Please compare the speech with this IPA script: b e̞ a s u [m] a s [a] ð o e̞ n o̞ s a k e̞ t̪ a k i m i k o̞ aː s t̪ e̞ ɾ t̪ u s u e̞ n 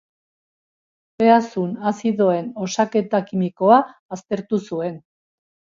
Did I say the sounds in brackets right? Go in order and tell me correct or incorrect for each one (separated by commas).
incorrect, incorrect